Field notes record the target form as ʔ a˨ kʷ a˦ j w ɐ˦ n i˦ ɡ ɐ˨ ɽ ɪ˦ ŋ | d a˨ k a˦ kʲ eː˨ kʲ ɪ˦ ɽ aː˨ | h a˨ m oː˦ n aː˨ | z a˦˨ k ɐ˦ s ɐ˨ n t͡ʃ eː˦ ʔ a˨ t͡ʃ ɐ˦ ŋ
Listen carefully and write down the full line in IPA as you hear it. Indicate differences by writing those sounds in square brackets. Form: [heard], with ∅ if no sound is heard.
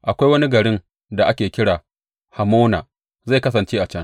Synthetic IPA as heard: ʔ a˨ kʷ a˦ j w ɐ˦ n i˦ ɡ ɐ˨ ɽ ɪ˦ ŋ | d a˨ [ʔ] a˦ kʲ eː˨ kʲ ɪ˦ ɽ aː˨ | h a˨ m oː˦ n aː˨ | z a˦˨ k ɐ˦ s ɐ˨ n t͡ʃ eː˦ ʔ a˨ t͡ʃ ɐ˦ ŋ